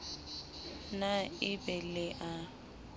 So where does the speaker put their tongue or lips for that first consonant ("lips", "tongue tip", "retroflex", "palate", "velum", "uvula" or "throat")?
tongue tip